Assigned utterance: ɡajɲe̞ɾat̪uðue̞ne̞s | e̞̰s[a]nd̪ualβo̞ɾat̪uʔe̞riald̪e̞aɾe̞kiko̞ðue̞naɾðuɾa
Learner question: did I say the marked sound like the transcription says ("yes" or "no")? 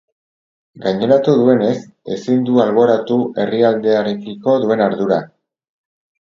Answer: no